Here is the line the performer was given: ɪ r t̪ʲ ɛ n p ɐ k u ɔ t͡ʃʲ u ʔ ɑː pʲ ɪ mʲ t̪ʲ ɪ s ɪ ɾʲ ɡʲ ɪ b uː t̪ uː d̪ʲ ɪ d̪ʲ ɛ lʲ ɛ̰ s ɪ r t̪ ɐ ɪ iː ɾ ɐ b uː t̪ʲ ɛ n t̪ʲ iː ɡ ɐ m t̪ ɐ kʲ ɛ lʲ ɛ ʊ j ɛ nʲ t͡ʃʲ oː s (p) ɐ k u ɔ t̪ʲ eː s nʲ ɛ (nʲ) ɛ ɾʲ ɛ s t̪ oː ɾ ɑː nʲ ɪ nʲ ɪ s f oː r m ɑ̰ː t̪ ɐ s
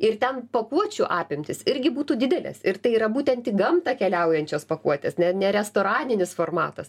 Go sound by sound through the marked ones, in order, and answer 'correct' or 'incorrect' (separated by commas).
correct, correct